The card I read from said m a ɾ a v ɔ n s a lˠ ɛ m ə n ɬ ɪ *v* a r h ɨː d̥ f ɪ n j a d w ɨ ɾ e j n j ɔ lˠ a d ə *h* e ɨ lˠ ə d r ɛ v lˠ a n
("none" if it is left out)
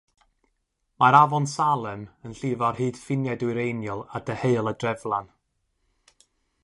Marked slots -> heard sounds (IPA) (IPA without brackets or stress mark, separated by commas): v, h